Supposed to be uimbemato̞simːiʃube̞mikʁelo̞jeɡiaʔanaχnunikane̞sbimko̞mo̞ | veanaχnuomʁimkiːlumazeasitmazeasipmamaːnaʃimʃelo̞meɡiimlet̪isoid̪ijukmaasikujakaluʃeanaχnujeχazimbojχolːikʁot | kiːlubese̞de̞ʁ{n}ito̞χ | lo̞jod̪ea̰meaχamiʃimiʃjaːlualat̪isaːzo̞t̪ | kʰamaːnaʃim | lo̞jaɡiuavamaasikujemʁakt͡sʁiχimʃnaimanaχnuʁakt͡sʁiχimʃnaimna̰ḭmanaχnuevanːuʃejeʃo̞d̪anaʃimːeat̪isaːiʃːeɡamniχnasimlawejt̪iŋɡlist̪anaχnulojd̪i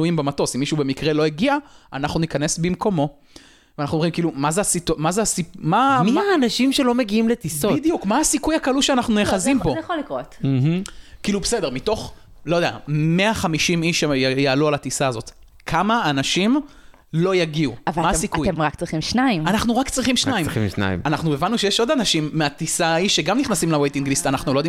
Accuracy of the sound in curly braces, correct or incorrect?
incorrect